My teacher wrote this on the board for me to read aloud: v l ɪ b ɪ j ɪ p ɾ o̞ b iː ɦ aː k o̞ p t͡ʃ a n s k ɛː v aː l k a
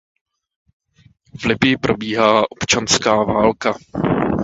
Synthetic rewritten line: v l ɪ b ɪ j ɪ p ɾ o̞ b iː ɦ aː ʔ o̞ p t͡ʃ a n s k aː v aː l k a